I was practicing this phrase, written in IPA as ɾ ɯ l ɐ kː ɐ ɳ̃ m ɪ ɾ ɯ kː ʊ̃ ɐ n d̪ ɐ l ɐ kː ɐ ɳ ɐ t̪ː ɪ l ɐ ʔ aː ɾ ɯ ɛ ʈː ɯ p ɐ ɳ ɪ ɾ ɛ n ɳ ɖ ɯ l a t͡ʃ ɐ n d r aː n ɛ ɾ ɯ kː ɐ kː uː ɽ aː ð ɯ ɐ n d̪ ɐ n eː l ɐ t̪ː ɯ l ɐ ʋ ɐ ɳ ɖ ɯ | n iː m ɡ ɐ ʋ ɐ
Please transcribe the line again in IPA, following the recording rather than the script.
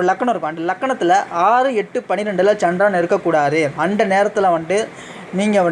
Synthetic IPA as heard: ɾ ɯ l ɐ kː ɐ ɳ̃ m ɪ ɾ ɯ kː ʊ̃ ɐ n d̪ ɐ l ɐ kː ɐ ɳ ɐ t̪ː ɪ l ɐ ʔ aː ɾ ɯ ɛ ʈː ɯ p ɐ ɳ ɪ ɾ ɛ ɳ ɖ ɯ l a t͡ʃ ɐ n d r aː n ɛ ɾ ɯ kː ɐ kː uː ɽ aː ð ɯ ɐ n d̪ ɐ n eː ɾ ɐ t̪ː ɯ l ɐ ʋ ɐ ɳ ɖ ɯ | n iː ŋ ɡ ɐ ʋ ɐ